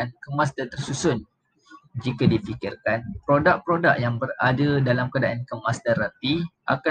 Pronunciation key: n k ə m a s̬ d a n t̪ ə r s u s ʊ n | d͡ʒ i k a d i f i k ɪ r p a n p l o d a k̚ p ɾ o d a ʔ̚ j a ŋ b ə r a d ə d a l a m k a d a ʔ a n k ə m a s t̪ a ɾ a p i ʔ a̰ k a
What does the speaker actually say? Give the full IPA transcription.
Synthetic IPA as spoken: n k ə m a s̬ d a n t̪ ə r s u s ʊ n | d͡ʒ i k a d i f i k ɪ r k a n p ɾ o d a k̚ p ɾ o d a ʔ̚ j a ŋ b ə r a d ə d a l a m k a d a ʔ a n k ə m a s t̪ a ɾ a p i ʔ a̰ k a